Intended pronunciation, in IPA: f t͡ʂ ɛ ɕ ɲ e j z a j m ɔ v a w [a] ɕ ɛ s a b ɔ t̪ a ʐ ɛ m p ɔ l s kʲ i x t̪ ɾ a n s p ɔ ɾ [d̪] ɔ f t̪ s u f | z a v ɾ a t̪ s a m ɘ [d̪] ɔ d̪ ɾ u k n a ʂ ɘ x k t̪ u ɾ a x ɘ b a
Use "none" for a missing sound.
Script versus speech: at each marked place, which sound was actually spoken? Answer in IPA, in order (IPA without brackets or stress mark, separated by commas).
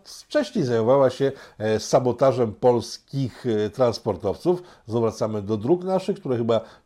a, t̪, d̪